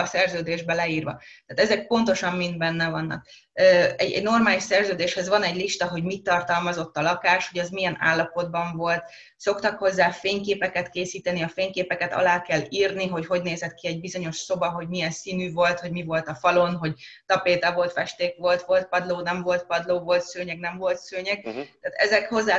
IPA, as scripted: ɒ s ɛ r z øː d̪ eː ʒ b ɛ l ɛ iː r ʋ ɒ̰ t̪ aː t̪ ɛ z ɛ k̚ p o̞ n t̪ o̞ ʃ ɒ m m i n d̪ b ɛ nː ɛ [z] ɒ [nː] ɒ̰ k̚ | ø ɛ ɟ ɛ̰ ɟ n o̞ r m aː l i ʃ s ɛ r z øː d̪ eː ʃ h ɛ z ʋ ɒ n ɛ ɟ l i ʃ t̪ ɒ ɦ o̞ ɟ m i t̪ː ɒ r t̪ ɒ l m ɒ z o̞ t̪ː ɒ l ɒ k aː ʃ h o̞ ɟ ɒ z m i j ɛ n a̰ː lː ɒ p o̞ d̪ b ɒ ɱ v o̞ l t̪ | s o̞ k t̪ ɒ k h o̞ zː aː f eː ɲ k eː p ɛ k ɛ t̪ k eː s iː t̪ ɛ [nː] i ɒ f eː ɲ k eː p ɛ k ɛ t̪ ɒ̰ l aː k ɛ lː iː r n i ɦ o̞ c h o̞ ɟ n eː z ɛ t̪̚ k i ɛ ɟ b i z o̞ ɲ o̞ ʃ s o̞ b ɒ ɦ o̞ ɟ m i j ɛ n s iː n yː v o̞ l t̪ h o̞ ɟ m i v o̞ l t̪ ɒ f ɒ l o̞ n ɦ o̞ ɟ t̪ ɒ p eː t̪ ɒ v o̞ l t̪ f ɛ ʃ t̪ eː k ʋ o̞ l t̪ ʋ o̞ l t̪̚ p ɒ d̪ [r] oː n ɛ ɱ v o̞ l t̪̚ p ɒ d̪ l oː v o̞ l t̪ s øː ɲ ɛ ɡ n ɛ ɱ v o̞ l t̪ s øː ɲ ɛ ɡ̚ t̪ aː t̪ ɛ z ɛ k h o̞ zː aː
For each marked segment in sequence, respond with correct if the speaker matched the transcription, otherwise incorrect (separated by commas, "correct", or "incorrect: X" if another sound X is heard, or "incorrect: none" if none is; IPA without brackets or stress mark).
incorrect: v, correct, incorrect: n, incorrect: l